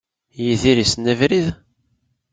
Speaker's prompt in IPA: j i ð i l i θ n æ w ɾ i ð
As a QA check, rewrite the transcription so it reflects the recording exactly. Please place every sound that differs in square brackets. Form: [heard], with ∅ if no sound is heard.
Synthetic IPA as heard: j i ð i [ɾ] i [s] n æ [v] ɾ i ð